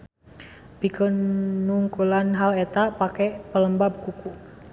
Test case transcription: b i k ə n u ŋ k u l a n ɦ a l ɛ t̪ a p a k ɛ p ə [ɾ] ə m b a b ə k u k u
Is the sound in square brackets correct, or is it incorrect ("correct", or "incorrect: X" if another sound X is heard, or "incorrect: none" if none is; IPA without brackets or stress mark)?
incorrect: l